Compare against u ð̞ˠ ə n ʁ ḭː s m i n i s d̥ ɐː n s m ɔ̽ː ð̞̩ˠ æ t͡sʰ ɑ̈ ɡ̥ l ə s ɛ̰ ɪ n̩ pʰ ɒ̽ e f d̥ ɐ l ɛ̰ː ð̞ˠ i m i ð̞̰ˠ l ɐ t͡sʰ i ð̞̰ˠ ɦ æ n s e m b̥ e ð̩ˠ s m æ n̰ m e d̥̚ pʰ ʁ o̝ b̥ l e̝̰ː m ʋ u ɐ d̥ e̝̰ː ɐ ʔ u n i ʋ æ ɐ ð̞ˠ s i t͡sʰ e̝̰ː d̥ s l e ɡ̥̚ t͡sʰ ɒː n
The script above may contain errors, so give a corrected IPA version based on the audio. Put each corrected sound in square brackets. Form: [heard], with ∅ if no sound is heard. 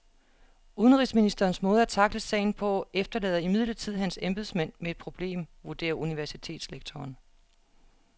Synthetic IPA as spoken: u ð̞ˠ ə n ʁ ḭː s m i n i s d̥ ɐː n s m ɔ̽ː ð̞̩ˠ æ t͡sʰ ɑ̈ ɡ̥ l ə s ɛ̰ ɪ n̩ pʰ ɒ̽ e f d̥ ɐ l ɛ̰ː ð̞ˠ i m i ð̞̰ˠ l ɐ t͡sʰ i ð̞̰ˠ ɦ æ n s e m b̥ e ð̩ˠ s m æ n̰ m e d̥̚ pʰ ʁ o̝ b̥ l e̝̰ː m ʋ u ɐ d̥ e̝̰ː ɐ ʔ u n i ʋ æ ɐ [∅] s i t͡sʰ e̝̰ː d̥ s l e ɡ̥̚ t͡sʰ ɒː n